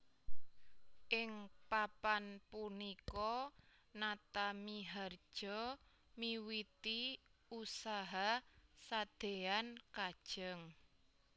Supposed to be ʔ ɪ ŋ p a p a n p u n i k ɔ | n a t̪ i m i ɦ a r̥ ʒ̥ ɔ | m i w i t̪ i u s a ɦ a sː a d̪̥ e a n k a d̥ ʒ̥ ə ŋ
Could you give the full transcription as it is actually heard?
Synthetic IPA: ʔ ɪ ŋ p a p a n p u n i k ɔ | n a t̪ a m i ɦ a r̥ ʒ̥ ɔ | m i w i t̪ i u s a ɦ a s a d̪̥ e a n k a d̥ ʒ̥ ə ŋ

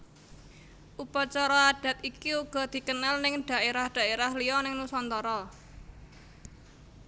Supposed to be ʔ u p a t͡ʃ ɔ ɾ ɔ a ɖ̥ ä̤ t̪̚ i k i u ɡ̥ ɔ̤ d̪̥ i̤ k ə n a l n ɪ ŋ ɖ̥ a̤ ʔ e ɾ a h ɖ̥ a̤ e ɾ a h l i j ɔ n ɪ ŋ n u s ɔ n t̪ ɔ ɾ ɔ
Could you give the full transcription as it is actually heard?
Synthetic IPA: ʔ u p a t͡ʃ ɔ ɾ ɔ a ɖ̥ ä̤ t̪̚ i k i u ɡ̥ ɔ̤ d̪̥ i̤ k ə n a l n ɪ ŋ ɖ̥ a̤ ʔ e ɾ a h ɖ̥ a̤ e ɾ a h l i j ɔ n ɪ ŋ n u s ɔ n t̪ ɔ ɾ ɔ

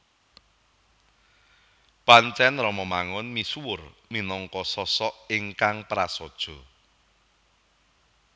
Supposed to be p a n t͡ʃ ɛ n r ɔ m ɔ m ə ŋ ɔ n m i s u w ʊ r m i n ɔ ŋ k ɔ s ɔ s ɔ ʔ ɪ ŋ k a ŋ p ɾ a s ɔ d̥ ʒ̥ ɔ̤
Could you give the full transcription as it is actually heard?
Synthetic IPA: p a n t͡ʃ ɛ n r ɔ m ɔ m a ŋ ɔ n m i s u w ʊ r m i n ɔ ŋ k ɔ s ɔ s ɔ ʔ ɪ ŋ k a ŋ p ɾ a s ɔ d̥ ʒ̥ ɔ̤

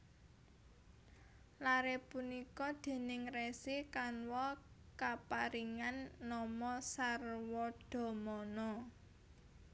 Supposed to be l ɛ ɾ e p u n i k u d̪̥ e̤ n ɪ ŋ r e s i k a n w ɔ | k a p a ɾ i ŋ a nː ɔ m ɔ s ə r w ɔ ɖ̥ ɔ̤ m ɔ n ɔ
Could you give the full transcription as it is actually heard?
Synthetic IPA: l a ɾ e p u n i k ɔ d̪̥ e̤ n ɪ ŋ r e s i k a n w ɔ | k a p a ɾ i ŋ a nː ɔ m ɔ s a r w ɔ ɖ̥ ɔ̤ m ɔ n ɔ

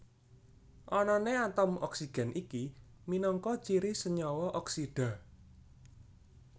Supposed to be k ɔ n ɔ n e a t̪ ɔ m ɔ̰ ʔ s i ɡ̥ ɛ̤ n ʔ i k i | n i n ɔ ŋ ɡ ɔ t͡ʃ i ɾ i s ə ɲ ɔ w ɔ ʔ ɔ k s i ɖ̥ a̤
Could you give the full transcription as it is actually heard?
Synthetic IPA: ʔ ɔ n ɔ n e a t̪ ɔ m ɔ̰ k s i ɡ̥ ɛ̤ n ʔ i k i | m i n ɔ ŋ k ɔ t͡ʃ i ɾ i s ə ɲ ɔ w ɔ ʔ ɔ k s i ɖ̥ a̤

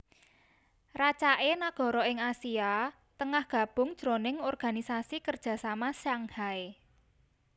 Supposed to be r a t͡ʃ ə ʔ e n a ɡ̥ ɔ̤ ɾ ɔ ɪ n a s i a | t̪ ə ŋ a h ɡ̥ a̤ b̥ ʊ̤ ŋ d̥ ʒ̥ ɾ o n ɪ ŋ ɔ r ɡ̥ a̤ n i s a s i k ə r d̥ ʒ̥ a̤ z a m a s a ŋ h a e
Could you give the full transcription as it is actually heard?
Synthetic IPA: r a t͡ʃ a ʔ e n a ɡ̥ ɔ̤ ɾ ɔ ɪ ŋ a s i a | t̪ ə ŋ a h ɡ̥ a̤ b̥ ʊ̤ ŋ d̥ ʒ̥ ɾ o n ɪ ŋ ɔ r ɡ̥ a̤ n i s a s i k ə r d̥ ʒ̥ a̤ s a m a s a ŋ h a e

